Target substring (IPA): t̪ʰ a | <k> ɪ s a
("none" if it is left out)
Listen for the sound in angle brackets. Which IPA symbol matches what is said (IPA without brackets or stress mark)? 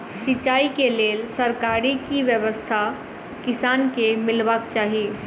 k